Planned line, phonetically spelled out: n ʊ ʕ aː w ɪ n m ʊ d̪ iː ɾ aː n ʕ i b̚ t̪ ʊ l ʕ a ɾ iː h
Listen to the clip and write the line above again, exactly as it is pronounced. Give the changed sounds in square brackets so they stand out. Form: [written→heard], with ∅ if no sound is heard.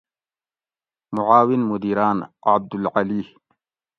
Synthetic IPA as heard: [n→m] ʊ ʕ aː w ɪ n m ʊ d̪ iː ɾ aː n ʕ [i→a] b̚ [t̪→d̪] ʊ l ʕ a [ɾ→l] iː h